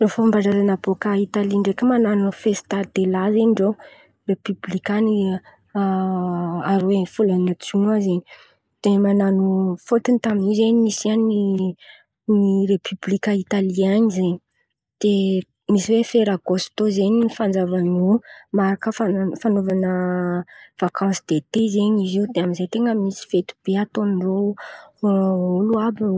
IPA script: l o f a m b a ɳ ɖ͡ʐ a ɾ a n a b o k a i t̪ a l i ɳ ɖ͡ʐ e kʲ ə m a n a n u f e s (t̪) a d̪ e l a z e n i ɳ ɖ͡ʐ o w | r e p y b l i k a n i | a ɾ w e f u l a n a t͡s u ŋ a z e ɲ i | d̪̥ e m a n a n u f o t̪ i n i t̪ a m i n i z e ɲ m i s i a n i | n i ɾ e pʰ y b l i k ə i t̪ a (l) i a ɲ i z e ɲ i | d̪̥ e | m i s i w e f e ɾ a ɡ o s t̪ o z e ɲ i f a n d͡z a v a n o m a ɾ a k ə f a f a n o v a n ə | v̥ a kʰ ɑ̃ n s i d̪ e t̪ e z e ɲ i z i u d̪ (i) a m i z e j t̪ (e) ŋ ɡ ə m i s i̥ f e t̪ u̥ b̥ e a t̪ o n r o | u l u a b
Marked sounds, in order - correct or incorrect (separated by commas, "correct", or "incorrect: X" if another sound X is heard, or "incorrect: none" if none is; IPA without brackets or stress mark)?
correct, correct, incorrect: e, correct